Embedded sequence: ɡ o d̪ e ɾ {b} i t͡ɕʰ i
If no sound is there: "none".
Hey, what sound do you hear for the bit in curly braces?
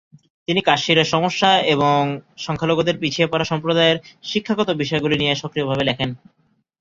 p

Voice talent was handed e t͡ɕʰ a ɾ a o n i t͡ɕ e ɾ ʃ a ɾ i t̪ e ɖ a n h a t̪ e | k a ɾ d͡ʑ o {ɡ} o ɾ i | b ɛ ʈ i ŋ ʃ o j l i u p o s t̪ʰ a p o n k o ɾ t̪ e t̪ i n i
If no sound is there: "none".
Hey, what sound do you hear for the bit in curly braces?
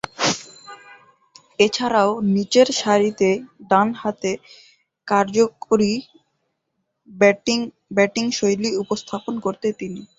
k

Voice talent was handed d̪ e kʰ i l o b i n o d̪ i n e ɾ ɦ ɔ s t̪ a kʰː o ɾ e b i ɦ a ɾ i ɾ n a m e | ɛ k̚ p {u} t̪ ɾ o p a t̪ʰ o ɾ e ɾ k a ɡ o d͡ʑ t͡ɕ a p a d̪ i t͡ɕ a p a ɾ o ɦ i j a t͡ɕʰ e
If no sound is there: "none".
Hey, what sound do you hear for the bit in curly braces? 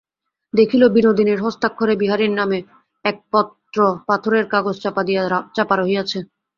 ɔ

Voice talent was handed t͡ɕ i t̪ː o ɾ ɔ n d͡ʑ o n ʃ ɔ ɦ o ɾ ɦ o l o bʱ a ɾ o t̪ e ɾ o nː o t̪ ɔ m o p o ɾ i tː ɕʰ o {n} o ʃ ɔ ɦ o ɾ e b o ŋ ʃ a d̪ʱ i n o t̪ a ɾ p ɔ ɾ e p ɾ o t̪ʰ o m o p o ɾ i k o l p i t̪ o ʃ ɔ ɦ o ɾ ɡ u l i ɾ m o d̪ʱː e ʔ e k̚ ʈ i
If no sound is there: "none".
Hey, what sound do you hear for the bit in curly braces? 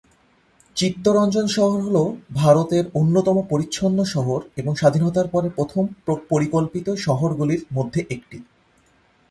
nː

